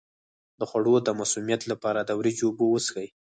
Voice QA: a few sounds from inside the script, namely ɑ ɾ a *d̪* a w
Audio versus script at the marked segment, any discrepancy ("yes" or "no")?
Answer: no